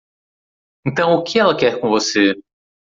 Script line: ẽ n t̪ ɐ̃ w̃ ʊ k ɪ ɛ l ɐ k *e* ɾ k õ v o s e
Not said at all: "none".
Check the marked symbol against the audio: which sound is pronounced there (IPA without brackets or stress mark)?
ɛ